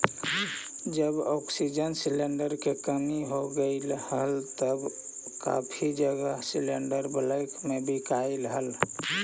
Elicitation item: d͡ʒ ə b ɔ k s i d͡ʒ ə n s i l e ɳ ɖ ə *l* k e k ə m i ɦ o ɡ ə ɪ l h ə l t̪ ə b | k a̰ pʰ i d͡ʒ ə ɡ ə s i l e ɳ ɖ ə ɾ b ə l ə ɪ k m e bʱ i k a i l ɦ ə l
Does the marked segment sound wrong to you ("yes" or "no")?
yes